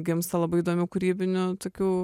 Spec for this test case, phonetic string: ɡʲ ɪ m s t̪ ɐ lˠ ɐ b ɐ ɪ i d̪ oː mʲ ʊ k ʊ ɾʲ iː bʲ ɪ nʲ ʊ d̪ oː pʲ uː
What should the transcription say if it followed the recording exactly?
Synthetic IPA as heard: ɡʲ ɪ m s t̪ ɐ lˠ ɐ b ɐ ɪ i d̪ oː mʲ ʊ k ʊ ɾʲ iː bʲ ɪ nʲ ʊ t̪ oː kʲ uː